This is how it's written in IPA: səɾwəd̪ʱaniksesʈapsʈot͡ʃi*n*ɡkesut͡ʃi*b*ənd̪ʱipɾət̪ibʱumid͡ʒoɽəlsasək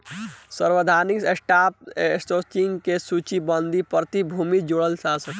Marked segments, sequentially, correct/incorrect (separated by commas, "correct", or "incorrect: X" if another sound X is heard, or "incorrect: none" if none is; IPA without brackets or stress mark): incorrect: ŋ, correct